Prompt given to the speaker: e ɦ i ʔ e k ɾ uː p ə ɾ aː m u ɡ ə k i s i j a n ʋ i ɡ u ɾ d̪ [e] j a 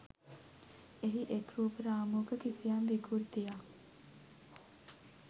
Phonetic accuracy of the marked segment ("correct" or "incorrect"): incorrect